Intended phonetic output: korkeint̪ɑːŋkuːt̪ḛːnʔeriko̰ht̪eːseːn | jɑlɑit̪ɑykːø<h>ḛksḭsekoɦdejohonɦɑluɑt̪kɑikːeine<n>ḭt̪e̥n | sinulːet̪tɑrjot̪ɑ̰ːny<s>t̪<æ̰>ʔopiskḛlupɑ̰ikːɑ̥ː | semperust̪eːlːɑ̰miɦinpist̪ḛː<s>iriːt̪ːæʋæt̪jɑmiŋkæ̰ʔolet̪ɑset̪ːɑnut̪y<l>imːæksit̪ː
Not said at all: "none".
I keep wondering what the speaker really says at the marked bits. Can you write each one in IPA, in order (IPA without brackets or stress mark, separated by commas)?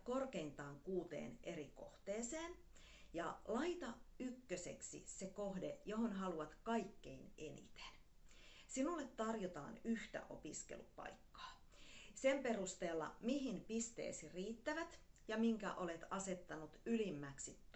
s, n, h, æ̰, s, l